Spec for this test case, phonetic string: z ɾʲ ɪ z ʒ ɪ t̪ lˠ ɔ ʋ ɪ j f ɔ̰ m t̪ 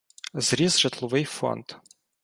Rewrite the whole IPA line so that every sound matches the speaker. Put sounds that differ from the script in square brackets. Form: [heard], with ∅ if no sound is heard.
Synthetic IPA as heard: z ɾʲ [i] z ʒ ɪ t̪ lˠ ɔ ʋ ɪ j f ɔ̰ [n] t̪

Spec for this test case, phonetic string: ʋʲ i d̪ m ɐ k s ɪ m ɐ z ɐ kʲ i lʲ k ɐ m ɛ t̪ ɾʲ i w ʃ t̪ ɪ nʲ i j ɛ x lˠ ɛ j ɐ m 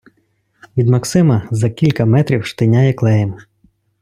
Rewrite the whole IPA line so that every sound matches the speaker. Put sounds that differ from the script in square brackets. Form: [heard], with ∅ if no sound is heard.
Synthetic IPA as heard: ʋʲ i d̪ m ɐ k s ɪ m ɐ z ɐ kʲ i lʲ k ɐ m ɛ t̪ ɾʲ i w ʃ t̪ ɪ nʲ [a] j ɛ [k] lˠ ɛ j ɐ m

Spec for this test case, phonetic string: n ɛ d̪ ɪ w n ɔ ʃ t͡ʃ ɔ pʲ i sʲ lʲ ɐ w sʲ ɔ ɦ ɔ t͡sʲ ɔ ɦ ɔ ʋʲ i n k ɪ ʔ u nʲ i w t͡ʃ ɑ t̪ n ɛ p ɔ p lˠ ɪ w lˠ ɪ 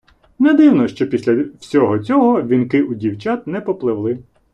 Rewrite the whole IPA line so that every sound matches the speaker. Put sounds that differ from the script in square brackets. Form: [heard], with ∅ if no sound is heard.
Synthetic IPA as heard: n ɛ d̪ ɪ w n ɔ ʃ t͡ʃ ɔ pʲ i sʲ lʲ ɐ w sʲ ɔ ɦ ɔ t͡sʲ ɔ ɦ ɔ ʋʲ i n k ɪ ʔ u [dʲ] i w t͡ʃ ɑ t̪ n ɛ p ɔ p lˠ ɪ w lˠ ɪ

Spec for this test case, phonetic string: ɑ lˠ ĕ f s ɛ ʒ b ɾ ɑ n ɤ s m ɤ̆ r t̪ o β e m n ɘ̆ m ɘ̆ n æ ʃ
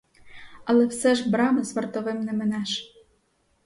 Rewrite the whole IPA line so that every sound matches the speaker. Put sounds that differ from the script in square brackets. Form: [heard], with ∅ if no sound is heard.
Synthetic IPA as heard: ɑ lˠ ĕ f s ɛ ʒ b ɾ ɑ [m] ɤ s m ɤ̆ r t̪ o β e m n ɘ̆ m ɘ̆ n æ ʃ

